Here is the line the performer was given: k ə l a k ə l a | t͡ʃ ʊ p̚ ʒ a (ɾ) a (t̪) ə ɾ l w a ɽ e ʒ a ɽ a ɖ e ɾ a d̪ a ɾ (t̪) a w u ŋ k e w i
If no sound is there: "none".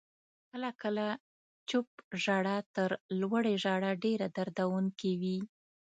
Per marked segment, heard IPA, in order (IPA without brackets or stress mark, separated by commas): ɽ, t̪, d̪